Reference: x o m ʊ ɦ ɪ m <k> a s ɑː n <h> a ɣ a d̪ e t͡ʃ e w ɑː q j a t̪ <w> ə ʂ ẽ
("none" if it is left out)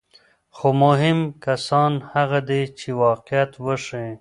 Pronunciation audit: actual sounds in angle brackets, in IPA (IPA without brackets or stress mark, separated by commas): k, h, w